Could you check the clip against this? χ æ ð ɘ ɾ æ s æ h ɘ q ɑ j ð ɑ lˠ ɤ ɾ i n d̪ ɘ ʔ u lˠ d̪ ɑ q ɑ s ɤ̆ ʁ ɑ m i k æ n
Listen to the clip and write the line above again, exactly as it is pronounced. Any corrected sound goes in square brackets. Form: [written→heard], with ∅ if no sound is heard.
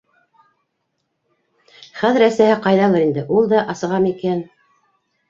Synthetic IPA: χ æ ð ɘ ɾ æ s æ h ɘ q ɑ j ð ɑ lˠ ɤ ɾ i n d̪ ɘ ʔ u lˠ d̪ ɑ [q→ʔ] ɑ s ɤ̆ ʁ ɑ m i k æ n